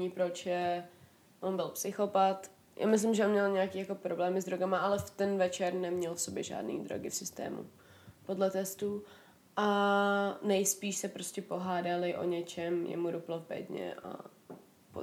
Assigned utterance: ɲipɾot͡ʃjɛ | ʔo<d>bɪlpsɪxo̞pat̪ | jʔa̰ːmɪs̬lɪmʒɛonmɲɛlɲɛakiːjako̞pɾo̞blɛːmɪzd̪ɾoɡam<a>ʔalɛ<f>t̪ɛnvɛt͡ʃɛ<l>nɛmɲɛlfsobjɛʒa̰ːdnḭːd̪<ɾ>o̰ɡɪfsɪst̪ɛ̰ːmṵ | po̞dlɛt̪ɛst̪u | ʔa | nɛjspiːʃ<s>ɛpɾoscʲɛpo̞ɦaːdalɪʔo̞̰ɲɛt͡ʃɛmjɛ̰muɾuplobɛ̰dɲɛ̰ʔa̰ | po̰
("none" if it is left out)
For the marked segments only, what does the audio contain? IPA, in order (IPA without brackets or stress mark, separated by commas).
n, a, f, ɾ, ɾ, s